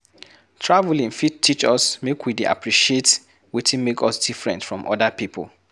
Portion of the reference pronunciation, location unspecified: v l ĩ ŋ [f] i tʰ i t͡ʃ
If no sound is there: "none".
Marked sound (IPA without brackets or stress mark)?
f